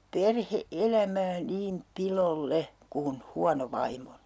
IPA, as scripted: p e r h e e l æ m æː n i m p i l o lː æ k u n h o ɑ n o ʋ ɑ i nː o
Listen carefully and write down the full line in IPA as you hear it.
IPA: p e r h e e l æ m æː n iː m p i l o lː e k u n h u ɑ n o ʋ ɑ i mː o